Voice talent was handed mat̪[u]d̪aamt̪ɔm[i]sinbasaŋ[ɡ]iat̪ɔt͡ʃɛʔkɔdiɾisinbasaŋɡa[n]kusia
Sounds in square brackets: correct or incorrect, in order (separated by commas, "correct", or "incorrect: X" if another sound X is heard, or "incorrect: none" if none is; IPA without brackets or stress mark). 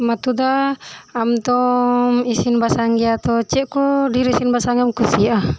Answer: correct, correct, correct, incorrect: m